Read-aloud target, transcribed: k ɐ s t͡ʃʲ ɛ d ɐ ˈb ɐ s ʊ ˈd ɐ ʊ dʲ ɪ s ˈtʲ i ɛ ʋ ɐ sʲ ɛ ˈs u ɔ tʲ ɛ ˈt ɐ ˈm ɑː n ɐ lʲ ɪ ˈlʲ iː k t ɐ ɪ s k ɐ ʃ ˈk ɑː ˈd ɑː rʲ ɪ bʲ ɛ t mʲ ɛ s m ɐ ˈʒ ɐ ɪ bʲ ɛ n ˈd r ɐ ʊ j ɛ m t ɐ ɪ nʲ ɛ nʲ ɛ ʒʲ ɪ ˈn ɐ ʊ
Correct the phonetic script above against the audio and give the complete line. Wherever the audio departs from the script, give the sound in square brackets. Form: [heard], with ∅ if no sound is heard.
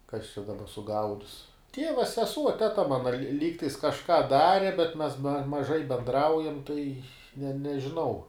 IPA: k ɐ s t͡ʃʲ ɛ d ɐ ˈb ɐ s ʊ [ˈɡ] ɐ ʊ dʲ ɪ s ˈtʲ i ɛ ʋ ɐ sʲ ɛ ˈs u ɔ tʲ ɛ ˈt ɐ ˈm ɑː n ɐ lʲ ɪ ˈlʲ iː k t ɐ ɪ s k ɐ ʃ ˈk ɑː ˈd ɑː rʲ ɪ bʲ ɛ t mʲ ɛ s m ɐ ˈʒ ɐ ɪ bʲ ɛ n ˈd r ɐ ʊ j ɛ m t ɐ ɪ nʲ ɛ nʲ ɛ ʒʲ ɪ ˈn ɐ ʊ